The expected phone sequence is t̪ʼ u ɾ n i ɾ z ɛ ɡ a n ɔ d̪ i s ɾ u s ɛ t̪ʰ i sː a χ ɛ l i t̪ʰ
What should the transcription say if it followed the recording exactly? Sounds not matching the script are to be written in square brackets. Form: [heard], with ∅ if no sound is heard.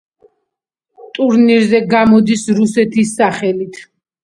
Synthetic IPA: t̪ʼ u ɾ n i ɾ z ɛ ɡ a [m] ɔ d̪ i s ɾ u s ɛ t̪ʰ i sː a χ ɛ l i t̪ʰ